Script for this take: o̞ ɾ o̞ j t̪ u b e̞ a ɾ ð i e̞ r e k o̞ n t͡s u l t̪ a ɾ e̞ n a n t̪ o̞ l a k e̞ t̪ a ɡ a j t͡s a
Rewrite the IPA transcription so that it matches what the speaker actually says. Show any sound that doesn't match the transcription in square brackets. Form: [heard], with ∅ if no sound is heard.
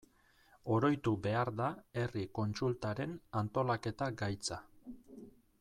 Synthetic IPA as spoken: o̞ ɾ o̞ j t̪ u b e̞ a ɾ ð [a] e̞ r [i] k o̞ n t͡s u l t̪ a ɾ e̞ n a n t̪ o̞ l a k e̞ t̪ a ɡ a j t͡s a